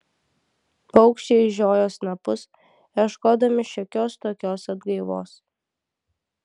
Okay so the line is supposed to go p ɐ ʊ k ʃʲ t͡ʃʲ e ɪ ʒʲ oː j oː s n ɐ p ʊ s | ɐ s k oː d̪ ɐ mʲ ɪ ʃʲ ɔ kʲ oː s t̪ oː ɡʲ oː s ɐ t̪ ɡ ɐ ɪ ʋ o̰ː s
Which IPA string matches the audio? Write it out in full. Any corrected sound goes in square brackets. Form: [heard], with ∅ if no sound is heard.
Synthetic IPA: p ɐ ʊ k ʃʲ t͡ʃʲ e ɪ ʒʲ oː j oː s n ɐ p ʊ s | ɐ [ʃ] k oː d̪ ɐ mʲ ɪ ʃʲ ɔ kʲ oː s t̪ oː [kʲ] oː s ɐ [d̪] ɡ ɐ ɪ ʋ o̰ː s